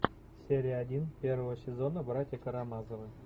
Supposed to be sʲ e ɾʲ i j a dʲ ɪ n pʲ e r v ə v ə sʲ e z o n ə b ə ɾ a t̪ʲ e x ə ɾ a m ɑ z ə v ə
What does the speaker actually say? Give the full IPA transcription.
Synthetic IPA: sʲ e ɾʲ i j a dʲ i n pʲ e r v ə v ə sʲ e z o n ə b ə ɾ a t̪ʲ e k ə ɾ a m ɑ z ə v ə

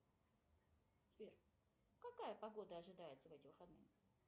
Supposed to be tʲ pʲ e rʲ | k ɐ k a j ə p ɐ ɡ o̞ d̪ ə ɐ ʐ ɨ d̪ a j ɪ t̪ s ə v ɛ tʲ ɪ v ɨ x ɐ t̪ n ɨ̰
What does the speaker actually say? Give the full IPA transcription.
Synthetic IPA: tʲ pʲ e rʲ | k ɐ k a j ə p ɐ ɡ o̞ d̪ ə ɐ ʐ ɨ d̪ a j ɪ t̪ s ə v ɛ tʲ ɪ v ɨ x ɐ d̪ n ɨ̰

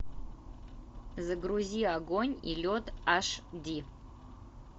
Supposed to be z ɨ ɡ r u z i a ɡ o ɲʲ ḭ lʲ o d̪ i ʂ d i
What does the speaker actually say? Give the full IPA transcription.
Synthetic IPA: z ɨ ɡ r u z i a ɡ o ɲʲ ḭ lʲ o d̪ a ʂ d i

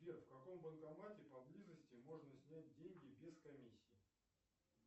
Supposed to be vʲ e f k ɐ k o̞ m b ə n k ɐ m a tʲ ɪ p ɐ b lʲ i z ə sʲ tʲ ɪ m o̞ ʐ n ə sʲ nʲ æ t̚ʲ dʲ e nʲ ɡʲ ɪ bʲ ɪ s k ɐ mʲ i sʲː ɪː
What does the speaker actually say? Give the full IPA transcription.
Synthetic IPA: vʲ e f k ɐ k o̞ m b ə n k ɐ m a tʲ ɪ p ɐ b lʲ i z ə sʲ tʲ ɪ m o̞ ʐ n ə sʲ nʲ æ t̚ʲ dʲ e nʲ ɡʲ ɪ bʲ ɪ s k ɐ mʲ i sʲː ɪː

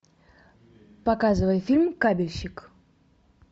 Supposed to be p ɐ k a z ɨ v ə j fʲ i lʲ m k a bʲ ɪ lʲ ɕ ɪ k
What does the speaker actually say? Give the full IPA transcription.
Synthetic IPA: p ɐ k a z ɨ v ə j fʲ i lʲ m k a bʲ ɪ lʲ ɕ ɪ k

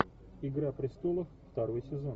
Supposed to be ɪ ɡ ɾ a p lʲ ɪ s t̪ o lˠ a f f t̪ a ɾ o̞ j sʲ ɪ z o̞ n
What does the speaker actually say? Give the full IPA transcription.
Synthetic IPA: ɪ ɡ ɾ a p ɾʲ ɪ s t̪ o lˠ ə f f t̪ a ɾ o̞ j sʲ ɪ z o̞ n

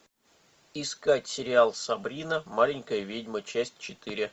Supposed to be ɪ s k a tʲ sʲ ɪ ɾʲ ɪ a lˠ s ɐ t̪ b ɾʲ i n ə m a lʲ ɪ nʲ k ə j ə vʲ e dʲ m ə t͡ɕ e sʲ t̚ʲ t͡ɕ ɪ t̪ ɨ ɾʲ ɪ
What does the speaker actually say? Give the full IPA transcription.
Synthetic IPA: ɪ s k a tʲ sʲ ɪ ɾʲ ɪ a lˠ s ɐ b ɾʲ i n ə m a lʲ ɪ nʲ k ə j ə vʲ e dʲ m ə t͡ɕ æ sʲ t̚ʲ t͡ɕ ɪ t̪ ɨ ɾʲ ɪ

